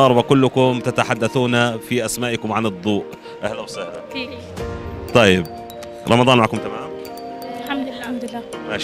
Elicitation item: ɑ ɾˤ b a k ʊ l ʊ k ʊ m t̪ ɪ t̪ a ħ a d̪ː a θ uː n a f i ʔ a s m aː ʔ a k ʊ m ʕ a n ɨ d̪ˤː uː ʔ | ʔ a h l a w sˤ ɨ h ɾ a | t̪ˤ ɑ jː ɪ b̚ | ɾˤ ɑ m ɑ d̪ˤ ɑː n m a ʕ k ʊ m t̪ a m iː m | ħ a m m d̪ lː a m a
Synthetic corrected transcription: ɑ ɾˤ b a k ʊ lː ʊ k ʊ m t̪ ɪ t̪ a ħ a d̪ː a θ uː n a f i ʔ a s m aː ʔ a k ʊ m ʕ a n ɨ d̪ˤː uː ʔ | ʔ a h l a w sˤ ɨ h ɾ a | t̪ˤ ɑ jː ɪ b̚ | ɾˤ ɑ m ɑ d̪ˤ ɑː n m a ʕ k ʊ m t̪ a m aː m | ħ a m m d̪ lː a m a